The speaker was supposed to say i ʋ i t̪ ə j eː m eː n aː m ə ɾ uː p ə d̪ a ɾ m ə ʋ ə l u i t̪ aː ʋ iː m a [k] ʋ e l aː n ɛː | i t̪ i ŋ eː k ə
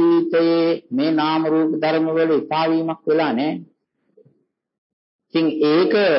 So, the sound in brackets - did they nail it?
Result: yes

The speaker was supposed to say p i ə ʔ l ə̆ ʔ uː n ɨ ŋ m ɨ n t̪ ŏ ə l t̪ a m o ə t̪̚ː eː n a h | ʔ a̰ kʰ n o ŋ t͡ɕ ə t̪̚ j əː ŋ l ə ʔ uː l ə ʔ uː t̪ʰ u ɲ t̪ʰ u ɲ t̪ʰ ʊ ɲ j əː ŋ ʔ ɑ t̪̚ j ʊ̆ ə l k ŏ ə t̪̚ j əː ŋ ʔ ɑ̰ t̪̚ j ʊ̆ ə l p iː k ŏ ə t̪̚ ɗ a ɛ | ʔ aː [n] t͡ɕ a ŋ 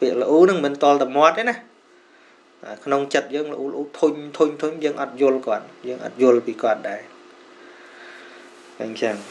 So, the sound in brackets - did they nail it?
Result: no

